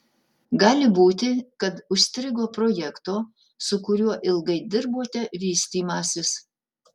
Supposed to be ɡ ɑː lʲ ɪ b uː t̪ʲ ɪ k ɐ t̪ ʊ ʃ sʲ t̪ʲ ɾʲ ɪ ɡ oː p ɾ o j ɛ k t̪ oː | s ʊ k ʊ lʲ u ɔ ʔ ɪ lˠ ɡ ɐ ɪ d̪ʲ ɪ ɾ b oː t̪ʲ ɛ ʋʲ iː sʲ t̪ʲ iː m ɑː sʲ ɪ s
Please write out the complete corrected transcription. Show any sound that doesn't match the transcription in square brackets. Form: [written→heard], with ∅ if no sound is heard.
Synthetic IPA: ɡ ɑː lʲ ɪ b uː t̪ʲ ɪ k ɐ t̪ ʊ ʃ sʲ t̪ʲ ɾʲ ɪ ɡ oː p ɾ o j ɛ k t̪ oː | s ʊ k ʊ [lʲ→ɾʲ] u ɔ ʔ ɪ lˠ ɡ ɐ ɪ d̪ʲ ɪ ɾ b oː t̪ʲ ɛ ʋʲ iː sʲ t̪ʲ iː m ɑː sʲ ɪ s

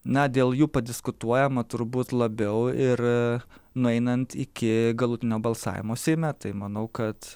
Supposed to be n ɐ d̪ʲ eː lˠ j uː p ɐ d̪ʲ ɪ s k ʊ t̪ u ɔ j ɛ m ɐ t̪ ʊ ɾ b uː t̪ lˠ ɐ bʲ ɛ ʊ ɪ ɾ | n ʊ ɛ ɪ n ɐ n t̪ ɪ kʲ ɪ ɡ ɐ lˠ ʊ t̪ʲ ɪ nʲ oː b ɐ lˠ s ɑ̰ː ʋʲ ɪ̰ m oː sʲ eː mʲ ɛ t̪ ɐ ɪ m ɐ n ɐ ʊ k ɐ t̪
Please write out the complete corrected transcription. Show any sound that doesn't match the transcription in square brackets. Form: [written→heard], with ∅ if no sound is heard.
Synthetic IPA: n ɐ d̪ʲ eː lˠ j uː p ɐ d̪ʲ ɪ s k ʊ t̪ u ɔ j ɛ m ɐ t̪ ʊ ɾ b uː t̪ lˠ ɐ bʲ ɛ ʊ ɪ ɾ | n ʊ ɛ ɪ n ɐ n t̪ ɪ kʲ ɪ ɡ ɐ lˠ ʊ t̪ʲ ɪ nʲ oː b ɐ lˠ s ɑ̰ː ʋʲ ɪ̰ m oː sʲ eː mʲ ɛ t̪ ɐ ɪ m ɐ n ɐ ʊ k ɐ t̪

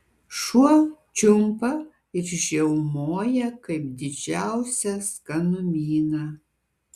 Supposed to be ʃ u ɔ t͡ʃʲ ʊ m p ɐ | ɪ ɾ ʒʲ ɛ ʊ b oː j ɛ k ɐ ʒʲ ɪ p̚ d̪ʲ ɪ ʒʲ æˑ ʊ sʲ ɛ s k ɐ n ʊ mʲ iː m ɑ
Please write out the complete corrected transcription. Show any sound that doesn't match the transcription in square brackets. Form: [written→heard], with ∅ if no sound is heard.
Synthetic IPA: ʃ u ɔ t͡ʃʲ ʊ m p ɐ | ɪ ɾ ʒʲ ɛ ʊ [b→m] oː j ɛ k ɐ [ʒʲ→∅] ɪ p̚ d̪ʲ ɪ [ʒʲ→d͡ʒʲ] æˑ ʊ sʲ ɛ s k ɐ n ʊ mʲ iː [m→n] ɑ

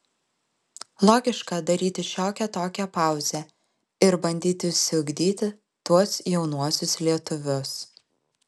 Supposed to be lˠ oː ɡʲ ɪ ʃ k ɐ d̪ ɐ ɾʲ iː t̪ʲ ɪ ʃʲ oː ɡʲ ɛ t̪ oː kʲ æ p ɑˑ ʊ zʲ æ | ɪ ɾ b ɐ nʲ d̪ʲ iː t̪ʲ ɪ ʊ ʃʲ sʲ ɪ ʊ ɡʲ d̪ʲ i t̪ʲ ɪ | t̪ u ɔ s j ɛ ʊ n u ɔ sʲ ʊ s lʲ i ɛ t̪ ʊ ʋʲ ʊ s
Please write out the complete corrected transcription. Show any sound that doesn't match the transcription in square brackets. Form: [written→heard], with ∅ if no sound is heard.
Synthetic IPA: lˠ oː ɡʲ ɪ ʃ k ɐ d̪ ɐ ɾʲ iː t̪ʲ ɪ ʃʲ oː [ɡʲ→kʲ] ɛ t̪ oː kʲ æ p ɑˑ ʊ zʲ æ | ɪ ɾ b ɐ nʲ d̪ʲ iː t̪ʲ ɪ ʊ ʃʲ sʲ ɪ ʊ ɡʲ d̪ʲ [i→iː] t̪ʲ ɪ | t̪ u ɔ s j ɛ ʊ n u ɔ sʲ ʊ s lʲ i ɛ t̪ ʊ ʋʲ ʊ s

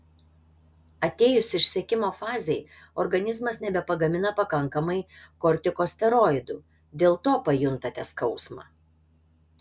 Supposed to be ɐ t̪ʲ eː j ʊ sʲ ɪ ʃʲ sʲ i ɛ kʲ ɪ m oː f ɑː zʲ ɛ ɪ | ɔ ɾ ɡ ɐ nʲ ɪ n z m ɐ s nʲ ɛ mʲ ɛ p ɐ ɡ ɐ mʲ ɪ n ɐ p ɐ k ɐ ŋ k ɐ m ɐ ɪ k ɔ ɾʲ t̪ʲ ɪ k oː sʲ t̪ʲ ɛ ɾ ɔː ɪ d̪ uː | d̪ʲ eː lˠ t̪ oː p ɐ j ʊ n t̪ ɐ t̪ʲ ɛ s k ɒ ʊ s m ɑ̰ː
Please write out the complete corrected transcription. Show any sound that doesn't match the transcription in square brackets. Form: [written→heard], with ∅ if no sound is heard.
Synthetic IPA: ɐ t̪ʲ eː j ʊ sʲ ɪ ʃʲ sʲ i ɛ kʲ ɪ m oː f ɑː zʲ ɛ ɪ | ɔ ɾ ɡ ɐ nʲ ɪ [n→∅] z m ɐ s nʲ ɛ [mʲ→bʲ] ɛ p ɐ ɡ ɐ mʲ ɪ n ɐ p ɐ k ɐ ŋ k ɐ m ɐ ɪ k ɔ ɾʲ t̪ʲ ɪ k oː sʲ t̪ʲ ɛ ɾ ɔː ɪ d̪ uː | d̪ʲ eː lˠ t̪ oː p ɐ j ʊ n t̪ ɐ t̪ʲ ɛ s k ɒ ʊ s m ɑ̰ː

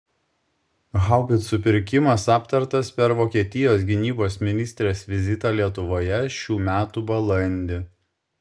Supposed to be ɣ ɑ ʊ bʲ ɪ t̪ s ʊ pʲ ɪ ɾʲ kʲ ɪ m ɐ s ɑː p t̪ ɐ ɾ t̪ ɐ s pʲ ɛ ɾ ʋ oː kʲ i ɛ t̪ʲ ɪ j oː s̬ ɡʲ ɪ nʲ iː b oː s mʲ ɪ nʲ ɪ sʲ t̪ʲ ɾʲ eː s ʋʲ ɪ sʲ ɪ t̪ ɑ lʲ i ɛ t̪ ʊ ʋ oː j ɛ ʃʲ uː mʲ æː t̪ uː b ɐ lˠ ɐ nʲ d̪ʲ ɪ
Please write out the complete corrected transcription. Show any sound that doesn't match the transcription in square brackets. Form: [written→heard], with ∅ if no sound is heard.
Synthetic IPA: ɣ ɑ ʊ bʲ ɪ t̪ s ʊ pʲ ɪ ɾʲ kʲ ɪ m ɐ s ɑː p t̪ ɐ ɾ t̪ ɐ s pʲ ɛ ɾ ʋ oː kʲ i ɛ t̪ʲ ɪ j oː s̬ ɡʲ ɪ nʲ iː b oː s mʲ ɪ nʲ ɪ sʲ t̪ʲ ɾʲ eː s ʋʲ ɪ [sʲ→zʲ] ɪ t̪ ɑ lʲ i ɛ t̪ ʊ ʋ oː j ɛ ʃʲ uː mʲ æː t̪ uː b ɐ lˠ ɐ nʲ d̪ʲ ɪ

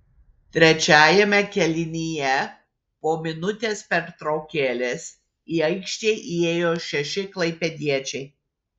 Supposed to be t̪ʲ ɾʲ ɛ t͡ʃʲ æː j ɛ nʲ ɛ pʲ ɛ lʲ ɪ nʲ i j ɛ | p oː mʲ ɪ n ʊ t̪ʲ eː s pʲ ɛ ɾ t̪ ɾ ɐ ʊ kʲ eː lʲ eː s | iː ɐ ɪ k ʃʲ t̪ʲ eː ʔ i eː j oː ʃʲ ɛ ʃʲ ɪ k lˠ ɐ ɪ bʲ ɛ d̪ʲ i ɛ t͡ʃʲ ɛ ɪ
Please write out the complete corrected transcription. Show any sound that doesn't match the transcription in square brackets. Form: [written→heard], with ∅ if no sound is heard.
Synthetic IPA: t̪ʲ ɾʲ ɛ t͡ʃʲ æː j ɛ [nʲ→mʲ] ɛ [pʲ→kʲ] ɛ lʲ ɪ nʲ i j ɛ | p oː mʲ ɪ n ʊ t̪ʲ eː s pʲ ɛ ɾ t̪ ɾ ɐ ʊ kʲ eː lʲ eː s | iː ɐ ɪ k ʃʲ t̪ʲ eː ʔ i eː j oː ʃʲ ɛ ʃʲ ɪ k lˠ ɐ ɪ [bʲ→pʲ] ɛ d̪ʲ i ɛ t͡ʃʲ ɛ ɪ

